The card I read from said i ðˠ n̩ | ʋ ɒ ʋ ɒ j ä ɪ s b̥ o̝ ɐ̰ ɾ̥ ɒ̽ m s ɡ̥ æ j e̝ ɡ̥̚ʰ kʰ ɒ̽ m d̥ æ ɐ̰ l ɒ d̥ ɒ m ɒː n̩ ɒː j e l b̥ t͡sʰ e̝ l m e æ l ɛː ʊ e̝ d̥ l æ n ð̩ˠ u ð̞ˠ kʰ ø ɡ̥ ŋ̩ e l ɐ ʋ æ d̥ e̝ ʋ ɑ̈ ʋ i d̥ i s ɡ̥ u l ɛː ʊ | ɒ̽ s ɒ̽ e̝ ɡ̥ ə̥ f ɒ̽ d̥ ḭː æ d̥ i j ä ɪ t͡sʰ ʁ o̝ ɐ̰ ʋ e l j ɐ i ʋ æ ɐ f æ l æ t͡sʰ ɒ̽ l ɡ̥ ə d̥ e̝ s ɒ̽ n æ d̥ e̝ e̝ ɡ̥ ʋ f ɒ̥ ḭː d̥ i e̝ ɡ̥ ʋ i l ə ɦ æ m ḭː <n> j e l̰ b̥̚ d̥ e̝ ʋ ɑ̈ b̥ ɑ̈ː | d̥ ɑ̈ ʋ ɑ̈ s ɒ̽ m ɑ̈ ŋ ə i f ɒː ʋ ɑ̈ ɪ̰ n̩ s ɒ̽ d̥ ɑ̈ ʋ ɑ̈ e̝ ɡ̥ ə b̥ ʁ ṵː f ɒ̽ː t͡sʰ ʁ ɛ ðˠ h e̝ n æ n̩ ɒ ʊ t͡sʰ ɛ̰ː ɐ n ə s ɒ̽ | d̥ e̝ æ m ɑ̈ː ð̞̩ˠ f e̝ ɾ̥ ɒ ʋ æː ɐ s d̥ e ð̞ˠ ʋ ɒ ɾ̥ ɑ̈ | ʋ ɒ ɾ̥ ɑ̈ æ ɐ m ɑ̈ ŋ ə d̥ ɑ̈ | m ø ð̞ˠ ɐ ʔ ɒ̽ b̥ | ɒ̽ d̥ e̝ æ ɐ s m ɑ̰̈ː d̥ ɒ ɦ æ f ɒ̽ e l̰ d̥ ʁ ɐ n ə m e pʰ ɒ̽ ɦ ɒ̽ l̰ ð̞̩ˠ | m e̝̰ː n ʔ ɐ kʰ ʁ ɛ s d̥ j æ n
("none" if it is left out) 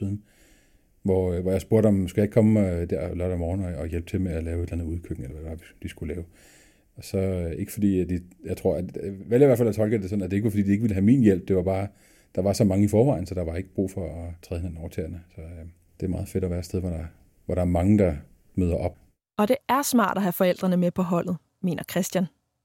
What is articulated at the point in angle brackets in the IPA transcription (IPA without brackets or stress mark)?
n